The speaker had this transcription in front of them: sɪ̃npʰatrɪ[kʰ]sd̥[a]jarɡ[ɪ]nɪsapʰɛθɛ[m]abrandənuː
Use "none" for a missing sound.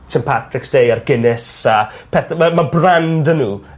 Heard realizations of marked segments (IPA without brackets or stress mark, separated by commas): k, e, ɪ, m